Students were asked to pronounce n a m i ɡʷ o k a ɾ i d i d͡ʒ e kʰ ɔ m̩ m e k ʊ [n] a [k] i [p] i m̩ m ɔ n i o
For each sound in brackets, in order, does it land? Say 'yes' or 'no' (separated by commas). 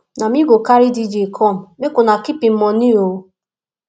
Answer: yes, yes, yes